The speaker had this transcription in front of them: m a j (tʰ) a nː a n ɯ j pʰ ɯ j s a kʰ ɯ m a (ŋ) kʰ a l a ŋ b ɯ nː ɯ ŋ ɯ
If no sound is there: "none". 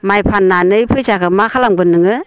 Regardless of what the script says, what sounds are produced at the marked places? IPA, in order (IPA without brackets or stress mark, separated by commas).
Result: pʰ, none